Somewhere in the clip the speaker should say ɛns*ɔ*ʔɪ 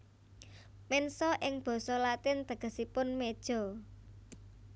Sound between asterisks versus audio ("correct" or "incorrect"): correct